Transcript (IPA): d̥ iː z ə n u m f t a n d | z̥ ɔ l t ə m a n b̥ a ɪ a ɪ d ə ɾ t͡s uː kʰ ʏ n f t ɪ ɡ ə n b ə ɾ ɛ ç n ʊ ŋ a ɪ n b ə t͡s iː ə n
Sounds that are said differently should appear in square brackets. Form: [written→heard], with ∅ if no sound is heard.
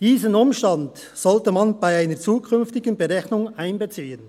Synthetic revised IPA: d̥ iː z ə n [u→ʊ] m [f→ʃ] t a n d | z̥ ɔ l t ə m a n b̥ a ɪ a ɪ [d→n] ə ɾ t͡s uː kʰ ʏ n f t ɪ ɡ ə n b ə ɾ ɛ ç n ʊ ŋ a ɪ n b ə t͡s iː ə n